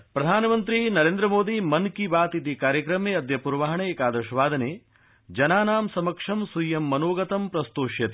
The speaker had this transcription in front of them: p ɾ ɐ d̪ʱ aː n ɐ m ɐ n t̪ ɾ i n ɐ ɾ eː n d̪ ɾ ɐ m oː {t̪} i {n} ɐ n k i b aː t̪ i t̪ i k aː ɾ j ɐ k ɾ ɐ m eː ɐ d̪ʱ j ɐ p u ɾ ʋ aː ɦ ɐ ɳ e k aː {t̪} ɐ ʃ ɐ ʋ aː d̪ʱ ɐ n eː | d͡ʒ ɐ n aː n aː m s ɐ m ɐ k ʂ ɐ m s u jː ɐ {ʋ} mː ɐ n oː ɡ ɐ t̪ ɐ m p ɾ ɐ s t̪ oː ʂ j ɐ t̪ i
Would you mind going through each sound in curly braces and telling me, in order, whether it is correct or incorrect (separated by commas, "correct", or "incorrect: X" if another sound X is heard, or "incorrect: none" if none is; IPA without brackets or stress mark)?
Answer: incorrect: d̪, incorrect: m, incorrect: d̪, incorrect: none